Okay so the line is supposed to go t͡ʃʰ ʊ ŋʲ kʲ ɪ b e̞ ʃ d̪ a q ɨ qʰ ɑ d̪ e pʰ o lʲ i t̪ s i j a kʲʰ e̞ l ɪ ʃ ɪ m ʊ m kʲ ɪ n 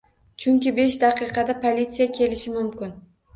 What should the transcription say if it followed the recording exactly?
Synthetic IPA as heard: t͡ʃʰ ʊ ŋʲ kʲ ɪ b e̞ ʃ d̪ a q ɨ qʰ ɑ d̪ a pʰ o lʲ i t̪ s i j a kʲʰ e̞ l ɪ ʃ ɪ m ʊ m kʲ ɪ n